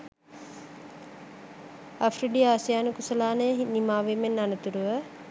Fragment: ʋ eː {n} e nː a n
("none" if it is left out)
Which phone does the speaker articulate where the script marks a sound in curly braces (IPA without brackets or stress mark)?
m